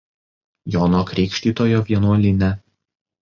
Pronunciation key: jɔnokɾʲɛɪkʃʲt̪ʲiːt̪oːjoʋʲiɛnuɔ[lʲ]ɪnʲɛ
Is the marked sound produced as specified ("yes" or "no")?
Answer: yes